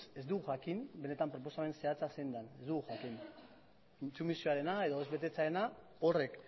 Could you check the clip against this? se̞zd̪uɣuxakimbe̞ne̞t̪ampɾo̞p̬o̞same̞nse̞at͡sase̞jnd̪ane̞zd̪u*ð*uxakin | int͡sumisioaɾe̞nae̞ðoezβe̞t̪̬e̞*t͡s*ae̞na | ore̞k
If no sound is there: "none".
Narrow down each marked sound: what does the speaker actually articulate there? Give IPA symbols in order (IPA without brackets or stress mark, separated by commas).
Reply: ɣ, t͡s